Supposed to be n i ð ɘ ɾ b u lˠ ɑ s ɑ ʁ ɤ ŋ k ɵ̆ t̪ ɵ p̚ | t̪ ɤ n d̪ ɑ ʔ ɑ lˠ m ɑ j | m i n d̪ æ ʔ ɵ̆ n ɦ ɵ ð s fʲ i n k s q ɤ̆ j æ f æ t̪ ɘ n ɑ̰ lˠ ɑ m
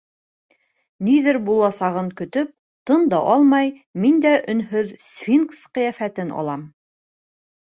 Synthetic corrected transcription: n i ð ɘ ɾ b u lˠ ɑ s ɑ ʁ ɤ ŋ k ɵ̆ t̪ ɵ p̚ | t̪ ɤ n d̪ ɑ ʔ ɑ lˠ m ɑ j | m i n d̪ æ ʔ ɵ̆ n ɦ ɵ ð s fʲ i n k s q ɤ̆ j æ f æ t̪ ɘ n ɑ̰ lˠ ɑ m

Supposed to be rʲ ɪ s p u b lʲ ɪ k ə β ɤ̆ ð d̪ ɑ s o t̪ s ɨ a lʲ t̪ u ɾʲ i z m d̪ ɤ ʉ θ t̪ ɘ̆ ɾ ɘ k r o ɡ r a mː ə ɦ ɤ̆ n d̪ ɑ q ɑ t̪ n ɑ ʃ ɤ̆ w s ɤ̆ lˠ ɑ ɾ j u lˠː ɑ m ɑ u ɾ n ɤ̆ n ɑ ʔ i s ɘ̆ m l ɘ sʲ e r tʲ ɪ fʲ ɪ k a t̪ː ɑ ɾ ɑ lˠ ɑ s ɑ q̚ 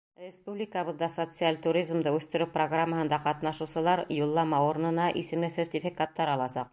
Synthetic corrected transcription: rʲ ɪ s p u b lʲ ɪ k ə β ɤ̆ ð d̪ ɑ s o t̪ s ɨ a lʲ t̪ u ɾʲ i z m d̪ ɤ ʉ θ t̪ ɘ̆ ɾ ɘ p r o ɡ r a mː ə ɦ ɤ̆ n d̪ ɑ q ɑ t̪ n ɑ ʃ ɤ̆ w s ɤ̆ lˠ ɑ ɾ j u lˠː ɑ m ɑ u ɾ n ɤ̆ n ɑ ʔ i s ɘ̆ m l ɘ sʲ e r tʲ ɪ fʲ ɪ k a t̪ː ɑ ɾ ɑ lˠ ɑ s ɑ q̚

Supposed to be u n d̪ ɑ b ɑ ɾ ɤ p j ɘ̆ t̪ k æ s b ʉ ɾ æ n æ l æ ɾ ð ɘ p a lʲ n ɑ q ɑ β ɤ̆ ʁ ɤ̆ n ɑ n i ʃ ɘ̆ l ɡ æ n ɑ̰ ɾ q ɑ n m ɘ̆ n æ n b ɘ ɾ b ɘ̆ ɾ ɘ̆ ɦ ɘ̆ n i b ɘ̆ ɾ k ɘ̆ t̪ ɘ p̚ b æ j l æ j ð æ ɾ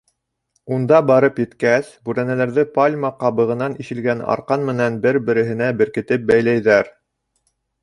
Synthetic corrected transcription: u n d̪ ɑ b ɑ ɾ ɤ p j ɘ̆ t̪ k æ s b ʉ ɾ æ n æ l æ ɾ ð ɘ p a lʲ m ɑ q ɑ β ɤ̆ ʁ ɤ̆ n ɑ n i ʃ ɘ̆ l ɡ æ n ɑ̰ ɾ q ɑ n m ɘ̆ n æ n b ɘ ɾ b ɘ̆ ɾ ɘ̆ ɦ ɘ̆ n æ b ɘ̆ ɾ k ɘ̆ t̪ ɘ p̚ b æ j l æ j ð æ ɾ

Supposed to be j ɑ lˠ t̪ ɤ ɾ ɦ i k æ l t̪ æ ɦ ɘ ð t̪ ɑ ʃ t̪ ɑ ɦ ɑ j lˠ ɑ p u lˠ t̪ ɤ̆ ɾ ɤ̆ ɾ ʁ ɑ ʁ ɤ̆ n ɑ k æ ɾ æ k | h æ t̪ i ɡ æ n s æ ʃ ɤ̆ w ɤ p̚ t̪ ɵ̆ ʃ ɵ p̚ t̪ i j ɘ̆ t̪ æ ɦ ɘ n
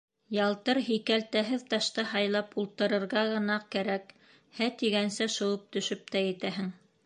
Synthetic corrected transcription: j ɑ lˠ t̪ ɤ ɾ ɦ i k æ l t̪ æ ɦ ɘ ð t̪ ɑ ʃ t̪ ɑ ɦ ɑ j lˠ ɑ p u lˠ t̪ ɤ̆ ɾ ɤ̆ ɾ ʁ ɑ ʁ ɤ̆ n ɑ k æ ɾ æ k | h æ t̪ i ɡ æ n s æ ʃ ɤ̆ w ɤ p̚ t̪ ɵ̆ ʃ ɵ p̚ t̪ æ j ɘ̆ t̪ æ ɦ ɘ ŋ

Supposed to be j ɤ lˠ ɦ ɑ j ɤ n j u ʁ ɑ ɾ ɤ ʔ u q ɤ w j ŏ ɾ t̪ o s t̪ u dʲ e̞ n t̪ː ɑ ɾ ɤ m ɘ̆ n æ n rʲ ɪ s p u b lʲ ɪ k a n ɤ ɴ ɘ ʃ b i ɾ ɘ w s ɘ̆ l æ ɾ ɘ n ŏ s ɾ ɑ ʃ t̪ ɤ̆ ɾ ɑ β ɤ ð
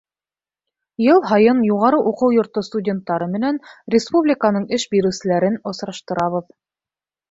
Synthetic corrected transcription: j ɤ lˠ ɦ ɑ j ɤ n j u ʁ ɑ ɾ ɤ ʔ u q ɤ w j ŏ ɾ t̪ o s t̪ u dʲ e̞ n t̪ː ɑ ɾ ɤ m ɘ̆ n æ n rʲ ɪ s p u b lʲ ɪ k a n ɤ ɴ ɘ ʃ b i ɾ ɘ w s ɘ̆ l æ ɾ ɘ n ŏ s ɾ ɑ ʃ t̪ ɤ̆ ɾ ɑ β ɤ ð

